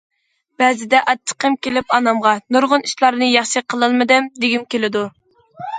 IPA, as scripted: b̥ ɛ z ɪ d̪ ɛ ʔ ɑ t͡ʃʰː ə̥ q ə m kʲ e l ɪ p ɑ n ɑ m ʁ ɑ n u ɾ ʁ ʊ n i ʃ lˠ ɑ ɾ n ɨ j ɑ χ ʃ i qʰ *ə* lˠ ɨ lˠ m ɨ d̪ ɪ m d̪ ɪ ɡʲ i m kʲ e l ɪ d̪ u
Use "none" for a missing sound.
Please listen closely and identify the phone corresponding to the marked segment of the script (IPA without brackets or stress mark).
ə